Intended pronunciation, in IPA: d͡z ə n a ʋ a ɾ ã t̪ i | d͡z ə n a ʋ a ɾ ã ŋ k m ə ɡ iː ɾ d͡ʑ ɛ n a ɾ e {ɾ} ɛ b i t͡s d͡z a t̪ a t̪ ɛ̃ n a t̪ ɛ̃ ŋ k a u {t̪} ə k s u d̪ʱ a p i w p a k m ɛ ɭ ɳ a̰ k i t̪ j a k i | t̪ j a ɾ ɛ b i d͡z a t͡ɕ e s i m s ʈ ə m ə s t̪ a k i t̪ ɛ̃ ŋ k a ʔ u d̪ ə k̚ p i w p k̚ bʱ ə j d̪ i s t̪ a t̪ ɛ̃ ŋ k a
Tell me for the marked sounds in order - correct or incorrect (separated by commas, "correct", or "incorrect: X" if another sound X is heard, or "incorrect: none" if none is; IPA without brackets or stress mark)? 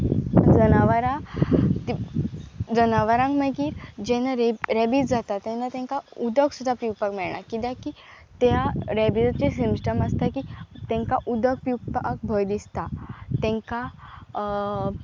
correct, incorrect: d̪